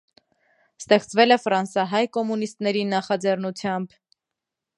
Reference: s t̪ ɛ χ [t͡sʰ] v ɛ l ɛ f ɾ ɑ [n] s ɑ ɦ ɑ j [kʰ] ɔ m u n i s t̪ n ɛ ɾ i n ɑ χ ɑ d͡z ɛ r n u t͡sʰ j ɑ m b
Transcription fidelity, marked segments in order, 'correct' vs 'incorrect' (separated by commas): incorrect, correct, incorrect